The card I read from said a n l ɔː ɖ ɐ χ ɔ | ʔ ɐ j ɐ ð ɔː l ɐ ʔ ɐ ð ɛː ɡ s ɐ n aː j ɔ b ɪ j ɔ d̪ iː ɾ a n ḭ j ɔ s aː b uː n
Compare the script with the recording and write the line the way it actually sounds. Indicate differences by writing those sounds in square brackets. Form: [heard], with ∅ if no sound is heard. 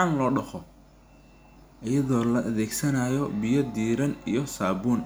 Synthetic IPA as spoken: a n l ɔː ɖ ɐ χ ɔ | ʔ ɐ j ɐ ð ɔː l ɐ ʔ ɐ ð ɛː ɡ s ɐ n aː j ɔ b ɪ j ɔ d̪ iː ɾ [ɐ] n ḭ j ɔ s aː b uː n